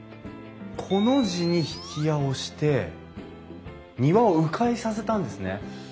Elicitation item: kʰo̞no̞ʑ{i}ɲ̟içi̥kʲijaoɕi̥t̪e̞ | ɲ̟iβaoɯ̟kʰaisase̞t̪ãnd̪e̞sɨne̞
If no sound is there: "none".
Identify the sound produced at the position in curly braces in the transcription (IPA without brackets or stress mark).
i